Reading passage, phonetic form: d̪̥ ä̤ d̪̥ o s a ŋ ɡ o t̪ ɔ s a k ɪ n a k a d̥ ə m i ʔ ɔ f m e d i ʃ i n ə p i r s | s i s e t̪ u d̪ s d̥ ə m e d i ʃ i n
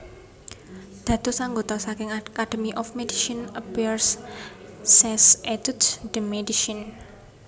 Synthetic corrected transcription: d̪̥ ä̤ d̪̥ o s a ŋ ɡ o t̪ ɔ s a k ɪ ŋ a k a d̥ ə m i ʔ ɔ f m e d i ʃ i n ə p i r s | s ɛ s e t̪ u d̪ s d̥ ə m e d i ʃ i n

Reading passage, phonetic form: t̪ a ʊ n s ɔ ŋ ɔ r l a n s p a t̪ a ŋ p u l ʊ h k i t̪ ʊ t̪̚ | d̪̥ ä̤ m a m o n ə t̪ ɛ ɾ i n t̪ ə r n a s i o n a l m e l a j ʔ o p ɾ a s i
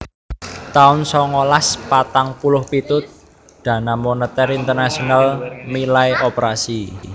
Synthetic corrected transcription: t̪ a ʊ n s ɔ ŋ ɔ l a s p a t̪ a ŋ p u l ʊ h p i t̪ ʊ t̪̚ | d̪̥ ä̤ n a m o n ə t̪ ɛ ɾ i n t̪ ə r n a s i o n a l m i l a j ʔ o p ɾ a s i

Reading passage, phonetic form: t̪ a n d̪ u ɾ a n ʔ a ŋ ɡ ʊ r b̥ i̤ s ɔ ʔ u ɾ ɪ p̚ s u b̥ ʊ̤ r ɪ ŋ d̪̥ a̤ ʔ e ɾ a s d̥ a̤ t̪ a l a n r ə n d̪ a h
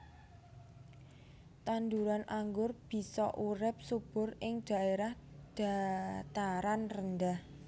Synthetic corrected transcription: t̪ a n d̪ u ɾ a n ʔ a ŋ ɡ ʊ r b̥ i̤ s ɔ ʔ u ɾ ɪ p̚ s u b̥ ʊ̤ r ɪ ŋ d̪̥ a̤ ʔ e ɾ a h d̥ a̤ t̪ a ɾ a n r ə n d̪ a h

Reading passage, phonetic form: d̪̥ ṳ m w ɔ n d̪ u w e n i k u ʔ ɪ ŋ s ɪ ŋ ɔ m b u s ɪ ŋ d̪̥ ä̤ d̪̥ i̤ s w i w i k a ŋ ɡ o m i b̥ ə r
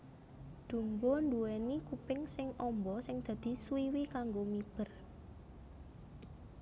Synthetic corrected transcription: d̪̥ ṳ m b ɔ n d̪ u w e n i k u p ɪ ŋ s ɪ ŋ ɔ m b ɔ s ɪ ŋ d̪̥ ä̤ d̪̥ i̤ s w i w i k a ŋ ɡ o m i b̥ ə r

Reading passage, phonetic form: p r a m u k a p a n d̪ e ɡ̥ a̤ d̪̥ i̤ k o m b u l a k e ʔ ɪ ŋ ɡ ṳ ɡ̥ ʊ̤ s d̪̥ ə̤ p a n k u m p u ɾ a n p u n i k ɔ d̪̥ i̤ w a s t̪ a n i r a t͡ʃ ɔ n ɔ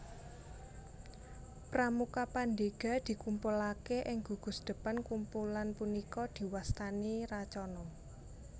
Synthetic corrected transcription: p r a m u k a p a n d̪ e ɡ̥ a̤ d̪̥ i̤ k u m p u l a k e ʔ ɪ ŋ ɡ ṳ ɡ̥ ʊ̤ s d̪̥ ə̤ p a n k u m p u l a n p u n i k ɔ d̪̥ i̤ w a s t̪ a n i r a t͡ʃ ɔ n ɔ

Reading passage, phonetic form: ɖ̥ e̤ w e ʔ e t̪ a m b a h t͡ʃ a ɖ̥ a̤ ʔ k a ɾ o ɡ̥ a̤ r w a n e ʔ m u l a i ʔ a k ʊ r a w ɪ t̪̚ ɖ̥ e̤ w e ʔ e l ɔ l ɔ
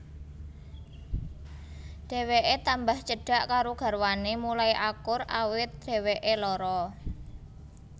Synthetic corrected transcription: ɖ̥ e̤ w e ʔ e t̪ a m b a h t͡ʃ ə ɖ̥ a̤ ʔ k a ɾ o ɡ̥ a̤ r w a n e m u l a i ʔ a k ʊ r a w ɪ t̪̚ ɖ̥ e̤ w e ʔ e l ɔ ɾ ɔ

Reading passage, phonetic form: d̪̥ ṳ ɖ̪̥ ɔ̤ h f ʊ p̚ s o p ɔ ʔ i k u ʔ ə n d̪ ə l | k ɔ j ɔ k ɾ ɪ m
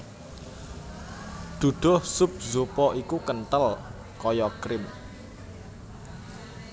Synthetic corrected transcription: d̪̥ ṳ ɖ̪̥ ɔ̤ h s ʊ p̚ z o p ɔ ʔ i k u k ə n t̪ ə l | k ɔ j ɔ k ɾ ɪ m

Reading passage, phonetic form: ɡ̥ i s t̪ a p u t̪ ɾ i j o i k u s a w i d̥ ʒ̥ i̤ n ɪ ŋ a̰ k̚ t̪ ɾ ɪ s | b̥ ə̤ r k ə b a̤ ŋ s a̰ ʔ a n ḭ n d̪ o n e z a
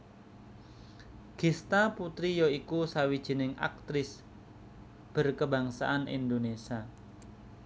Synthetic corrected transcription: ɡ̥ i s t̪ a p u t̪ ɾ i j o i k u s a w i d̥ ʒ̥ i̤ n ɪ ŋ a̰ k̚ t̪ ɾ ɪ s | b̥ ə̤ r k ə b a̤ ŋ s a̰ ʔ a n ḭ n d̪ o n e s a

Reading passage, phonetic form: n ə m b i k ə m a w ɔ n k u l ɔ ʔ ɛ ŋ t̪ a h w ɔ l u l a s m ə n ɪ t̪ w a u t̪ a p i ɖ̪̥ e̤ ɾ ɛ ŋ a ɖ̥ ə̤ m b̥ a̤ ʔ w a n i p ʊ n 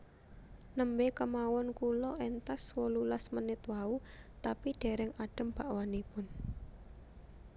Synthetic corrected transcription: n ə m b e k ə m a w ɔ n k u l ɔ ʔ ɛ n t̪ a s w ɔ l u l a s m ə n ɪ t̪ w a u t̪ a p i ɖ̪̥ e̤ ɾ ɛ ŋ a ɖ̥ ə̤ m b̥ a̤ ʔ w a n i p ʊ n

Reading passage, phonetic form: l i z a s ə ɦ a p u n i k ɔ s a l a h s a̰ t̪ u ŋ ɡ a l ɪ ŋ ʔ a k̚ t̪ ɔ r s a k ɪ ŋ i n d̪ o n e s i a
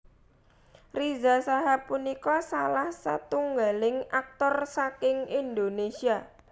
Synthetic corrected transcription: r i z a s a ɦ a p u n i k ɔ s a l a h s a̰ t̪ u ŋ ɡ a l ɪ ŋ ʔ a k̚ t̪ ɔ r s a k ɪ ŋ i n d̪ o n e s i a

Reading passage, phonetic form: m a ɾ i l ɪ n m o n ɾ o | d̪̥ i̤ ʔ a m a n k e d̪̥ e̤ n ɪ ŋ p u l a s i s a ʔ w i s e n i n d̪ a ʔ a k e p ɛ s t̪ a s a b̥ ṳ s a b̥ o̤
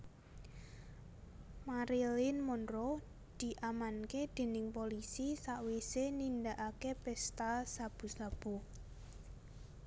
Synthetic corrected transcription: m a ɾ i l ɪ n m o n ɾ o | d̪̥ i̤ ʔ a m a n k e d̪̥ e̤ n ɪ ŋ p o l i s i s a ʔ w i s e n i n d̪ a ʔ a k e p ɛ s t̪ a s a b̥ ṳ s a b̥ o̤

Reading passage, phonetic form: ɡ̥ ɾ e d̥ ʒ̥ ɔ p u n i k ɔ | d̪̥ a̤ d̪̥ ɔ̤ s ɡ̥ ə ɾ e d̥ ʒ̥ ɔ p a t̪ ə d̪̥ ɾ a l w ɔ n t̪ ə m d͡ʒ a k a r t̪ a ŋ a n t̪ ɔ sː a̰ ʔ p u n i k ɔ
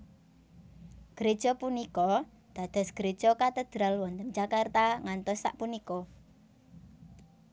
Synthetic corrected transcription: ɡ̥ ɾ e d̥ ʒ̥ ɔ p u n i k ɔ | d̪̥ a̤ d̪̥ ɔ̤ s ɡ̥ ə ɾ e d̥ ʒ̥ ɔ k a t̪ ə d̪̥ ɾ a l w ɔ n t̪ ə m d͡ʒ a k a r t̪ a ŋ a n t̪ ɔ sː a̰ ʔ p u n i k ɔ

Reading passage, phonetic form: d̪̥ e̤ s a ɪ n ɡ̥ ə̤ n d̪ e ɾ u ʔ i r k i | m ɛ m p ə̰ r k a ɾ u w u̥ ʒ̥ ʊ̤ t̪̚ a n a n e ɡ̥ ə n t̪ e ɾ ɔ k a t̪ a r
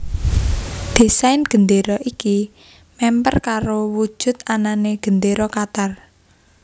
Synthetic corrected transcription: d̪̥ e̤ s a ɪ n ɡ̥ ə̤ n d̪ e ɾ ɔ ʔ i k i | m ɛ m p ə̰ r k a ɾ o w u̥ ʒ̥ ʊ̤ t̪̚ a n a n e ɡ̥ ə n d̪ e ɾ ɔ k a t̪ a r

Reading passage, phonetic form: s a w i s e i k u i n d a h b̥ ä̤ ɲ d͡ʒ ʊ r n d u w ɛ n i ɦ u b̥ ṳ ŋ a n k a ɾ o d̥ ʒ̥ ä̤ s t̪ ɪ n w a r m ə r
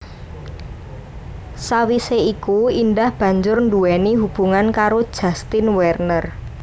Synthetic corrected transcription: s a w i s e i k u i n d a h b̥ ä̤ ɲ d͡ʒ ʊ r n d u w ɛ n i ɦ u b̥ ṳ ŋ a n k a ɾ o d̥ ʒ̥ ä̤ s t̪ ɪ n w ɛ r n ə r

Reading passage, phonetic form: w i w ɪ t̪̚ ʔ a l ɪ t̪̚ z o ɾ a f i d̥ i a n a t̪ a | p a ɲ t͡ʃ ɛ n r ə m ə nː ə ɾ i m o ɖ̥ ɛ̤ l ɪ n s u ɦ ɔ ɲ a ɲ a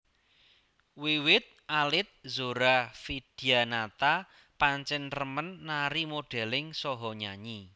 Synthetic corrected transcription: w i w ɪ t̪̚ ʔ a l ɪ t̪̚ z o ɾ a f i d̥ i a n a t̪ a | p a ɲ t͡ʃ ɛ n r ə m ə nː a ɾ i m o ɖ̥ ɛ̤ l ɪ ŋ s ɔ ɦ ɔ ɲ a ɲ i

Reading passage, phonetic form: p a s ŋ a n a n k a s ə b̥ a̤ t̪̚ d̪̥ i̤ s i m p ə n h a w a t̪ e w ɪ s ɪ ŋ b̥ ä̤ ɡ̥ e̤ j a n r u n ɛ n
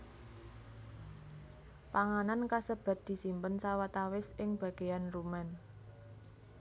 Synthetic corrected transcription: p a ŋ a n a n k a s ə b̥ a̤ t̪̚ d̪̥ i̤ s i m p ə n s a w a t̪ a w ɪ s ɪ ŋ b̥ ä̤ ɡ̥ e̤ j a n r u m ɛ n

